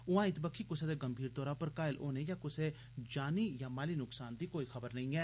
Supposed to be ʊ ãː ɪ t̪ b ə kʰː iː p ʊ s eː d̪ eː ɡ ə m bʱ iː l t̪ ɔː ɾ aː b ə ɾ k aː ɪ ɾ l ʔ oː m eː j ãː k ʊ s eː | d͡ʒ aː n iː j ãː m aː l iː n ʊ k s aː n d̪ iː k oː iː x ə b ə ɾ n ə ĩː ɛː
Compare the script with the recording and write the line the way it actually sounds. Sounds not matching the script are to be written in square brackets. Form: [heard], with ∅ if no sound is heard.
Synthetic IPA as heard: ʊ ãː ɪ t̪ b ə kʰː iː [k] ʊ s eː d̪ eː ɡ ə m bʱ iː [ɾ] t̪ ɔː ɾ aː [p] ə ɾ k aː ɪ [∅] l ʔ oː [n] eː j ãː k ʊ s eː | d͡ʒ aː n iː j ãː m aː l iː n ʊ k s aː n d̪ iː k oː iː x ə b ə ɾ n ə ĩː ɛː

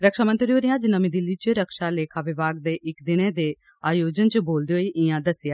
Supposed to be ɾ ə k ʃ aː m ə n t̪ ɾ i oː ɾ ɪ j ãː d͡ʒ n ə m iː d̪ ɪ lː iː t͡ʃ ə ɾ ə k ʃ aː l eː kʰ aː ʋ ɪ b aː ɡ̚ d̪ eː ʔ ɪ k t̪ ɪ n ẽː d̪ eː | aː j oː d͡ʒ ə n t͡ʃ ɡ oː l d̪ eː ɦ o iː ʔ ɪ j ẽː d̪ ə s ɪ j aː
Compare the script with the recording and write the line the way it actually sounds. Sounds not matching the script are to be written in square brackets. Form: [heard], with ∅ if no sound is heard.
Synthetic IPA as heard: ɾ ə k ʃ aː m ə n t̪ ɾ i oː ɾ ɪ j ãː d͡ʒ n ə m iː d̪ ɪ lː iː t͡ʃ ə ɾ ə k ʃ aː l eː kʰ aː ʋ ɪ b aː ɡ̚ d̪ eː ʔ ɪ k [d̪] ɪ n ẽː d̪ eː | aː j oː d͡ʒ ə n t͡ʃ [b] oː l d̪ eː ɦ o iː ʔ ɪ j [ãː] d̪ ə s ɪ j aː

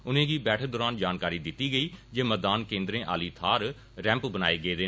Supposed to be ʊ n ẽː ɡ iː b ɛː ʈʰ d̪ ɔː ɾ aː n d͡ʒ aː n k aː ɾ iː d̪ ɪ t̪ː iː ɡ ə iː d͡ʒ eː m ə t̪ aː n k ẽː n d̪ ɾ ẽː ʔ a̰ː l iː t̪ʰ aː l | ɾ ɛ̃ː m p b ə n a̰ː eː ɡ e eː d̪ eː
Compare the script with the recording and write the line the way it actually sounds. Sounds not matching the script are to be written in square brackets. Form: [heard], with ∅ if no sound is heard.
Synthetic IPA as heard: ʊ n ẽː ɡ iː b ɛː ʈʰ d̪ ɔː ɾ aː n d͡ʒ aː n k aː ɾ iː d̪ ɪ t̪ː iː ɡ ə iː d͡ʒ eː m ə [d̪] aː n k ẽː n d̪ ɾ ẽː ʔ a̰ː l iː t̪ʰ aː [ɾ] | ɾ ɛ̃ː m p b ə n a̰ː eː ɡ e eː d̪ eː

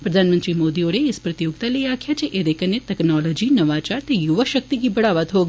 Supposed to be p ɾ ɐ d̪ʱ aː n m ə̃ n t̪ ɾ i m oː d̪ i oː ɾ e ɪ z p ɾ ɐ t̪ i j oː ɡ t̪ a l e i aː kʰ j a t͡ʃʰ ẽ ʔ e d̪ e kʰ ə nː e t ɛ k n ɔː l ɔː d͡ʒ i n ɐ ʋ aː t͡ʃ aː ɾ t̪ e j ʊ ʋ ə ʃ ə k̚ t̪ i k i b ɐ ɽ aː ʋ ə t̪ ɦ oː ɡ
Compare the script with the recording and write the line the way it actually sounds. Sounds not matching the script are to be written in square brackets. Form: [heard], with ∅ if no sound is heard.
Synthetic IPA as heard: p ɾ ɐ d̪ʱ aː n m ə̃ n t̪ ɾ i m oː d̪ i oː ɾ e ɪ [s] p ɾ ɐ t̪ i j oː ɡ t̪ a l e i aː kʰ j a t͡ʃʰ [e] ʔ e d̪ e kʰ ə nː e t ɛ k n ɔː l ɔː d͡ʒ i n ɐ ʋ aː t͡ʃ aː ɾ t̪ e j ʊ ʋ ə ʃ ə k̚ t̪ i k i b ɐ ɽ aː ʋ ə t̪ ɦ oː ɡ

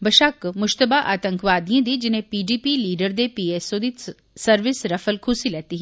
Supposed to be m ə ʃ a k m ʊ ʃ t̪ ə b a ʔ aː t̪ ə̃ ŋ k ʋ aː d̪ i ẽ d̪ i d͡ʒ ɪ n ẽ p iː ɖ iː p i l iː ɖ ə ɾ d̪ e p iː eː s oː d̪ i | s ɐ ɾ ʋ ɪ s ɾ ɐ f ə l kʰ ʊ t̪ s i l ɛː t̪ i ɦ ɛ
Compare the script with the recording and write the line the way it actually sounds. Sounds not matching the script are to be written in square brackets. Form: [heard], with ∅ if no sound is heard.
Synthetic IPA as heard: [b] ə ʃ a k m ʊ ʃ t̪ ə b a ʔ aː t̪ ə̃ ŋ k ʋ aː d̪ i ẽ d̪ i d͡ʒ ɪ n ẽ p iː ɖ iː p i l iː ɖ ə ɾ d̪ e p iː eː s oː d̪ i | s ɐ ɾ ʋ ɪ s ɾ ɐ f ə l kʰ ʊ [∅] s i l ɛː t̪ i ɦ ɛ

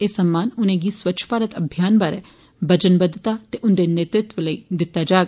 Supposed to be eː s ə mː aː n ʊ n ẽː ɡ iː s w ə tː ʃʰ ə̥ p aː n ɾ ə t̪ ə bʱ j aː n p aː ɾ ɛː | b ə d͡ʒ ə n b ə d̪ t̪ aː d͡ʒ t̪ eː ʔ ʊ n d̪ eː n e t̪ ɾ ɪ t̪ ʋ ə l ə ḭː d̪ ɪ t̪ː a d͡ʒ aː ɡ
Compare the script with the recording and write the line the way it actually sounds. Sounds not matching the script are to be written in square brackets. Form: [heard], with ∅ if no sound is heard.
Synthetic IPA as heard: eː s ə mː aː n ʊ n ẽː ɡ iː s w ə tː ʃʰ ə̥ p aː [∅] ɾ ə t̪ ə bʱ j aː n [b] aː ɾ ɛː | b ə d͡ʒ ə n b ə d̪ t̪ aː [∅] t̪ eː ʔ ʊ n d̪ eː n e t̪ ɾ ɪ t̪ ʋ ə l ə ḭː d̪ ɪ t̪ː a d͡ʒ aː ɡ

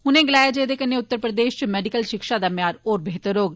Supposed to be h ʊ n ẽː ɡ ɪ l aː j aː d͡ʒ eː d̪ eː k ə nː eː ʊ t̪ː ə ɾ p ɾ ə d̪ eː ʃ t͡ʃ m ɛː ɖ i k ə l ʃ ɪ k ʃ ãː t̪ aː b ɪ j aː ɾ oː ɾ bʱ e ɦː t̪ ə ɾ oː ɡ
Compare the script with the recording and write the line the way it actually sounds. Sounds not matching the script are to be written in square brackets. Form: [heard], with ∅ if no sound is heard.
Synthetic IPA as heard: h ʊ n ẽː ɡ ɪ l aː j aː d͡ʒ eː d̪ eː k ə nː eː ʊ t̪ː ə ɾ p ɾ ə d̪ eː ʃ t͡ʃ m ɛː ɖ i k ə l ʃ ɪ k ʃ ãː [d̪] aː [m] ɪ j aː ɾ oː ɾ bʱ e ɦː t̪ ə ɾ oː ɡ

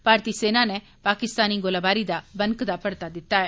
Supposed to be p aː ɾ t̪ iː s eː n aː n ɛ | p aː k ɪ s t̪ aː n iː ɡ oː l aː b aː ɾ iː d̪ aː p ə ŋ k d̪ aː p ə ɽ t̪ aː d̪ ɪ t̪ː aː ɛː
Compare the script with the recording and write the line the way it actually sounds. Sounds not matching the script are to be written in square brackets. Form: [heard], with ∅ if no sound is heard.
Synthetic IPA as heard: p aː ɾ t̪ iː s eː n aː n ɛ | p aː k ɪ s t̪ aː n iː ɡ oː l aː b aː ɾ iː d̪ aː [b] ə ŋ k d̪ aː p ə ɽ t̪ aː d̪ ɪ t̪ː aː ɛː

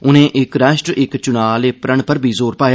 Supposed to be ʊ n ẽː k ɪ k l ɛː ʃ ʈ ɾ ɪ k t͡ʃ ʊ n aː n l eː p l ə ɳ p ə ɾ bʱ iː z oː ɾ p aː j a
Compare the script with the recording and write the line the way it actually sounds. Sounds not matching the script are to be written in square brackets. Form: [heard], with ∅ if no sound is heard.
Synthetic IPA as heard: ʊ n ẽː [ʔ] ɪ k [ɾ] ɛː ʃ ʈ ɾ ɪ k t͡ʃ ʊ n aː [∅] l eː p [ɾ] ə ɳ p ə ɾ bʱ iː z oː ɾ p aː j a

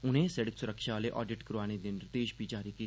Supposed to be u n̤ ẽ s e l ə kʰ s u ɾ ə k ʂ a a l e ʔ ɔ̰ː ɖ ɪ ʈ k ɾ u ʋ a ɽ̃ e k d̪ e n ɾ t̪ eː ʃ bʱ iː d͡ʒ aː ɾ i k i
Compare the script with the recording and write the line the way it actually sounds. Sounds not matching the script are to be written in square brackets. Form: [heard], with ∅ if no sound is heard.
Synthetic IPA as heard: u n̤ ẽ s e [ɽ] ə [k] s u ɾ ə k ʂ a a l e ʔ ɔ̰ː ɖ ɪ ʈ k ɾ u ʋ a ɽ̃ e [∅] d̪ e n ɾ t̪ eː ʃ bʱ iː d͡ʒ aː ɾ i k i

